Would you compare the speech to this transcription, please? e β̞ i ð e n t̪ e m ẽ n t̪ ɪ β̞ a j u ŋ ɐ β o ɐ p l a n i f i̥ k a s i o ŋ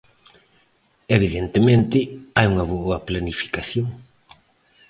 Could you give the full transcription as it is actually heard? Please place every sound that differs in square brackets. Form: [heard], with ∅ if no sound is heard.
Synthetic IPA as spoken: e β̞ i ð e n t̪ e m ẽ n t̪ ɪ [∅] a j u ŋ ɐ β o ɐ p l a n i f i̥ k a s [j] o ŋ